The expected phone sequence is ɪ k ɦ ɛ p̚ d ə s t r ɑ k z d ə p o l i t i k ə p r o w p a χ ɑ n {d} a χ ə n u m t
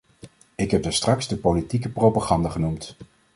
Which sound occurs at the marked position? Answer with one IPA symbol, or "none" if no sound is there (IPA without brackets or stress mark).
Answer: d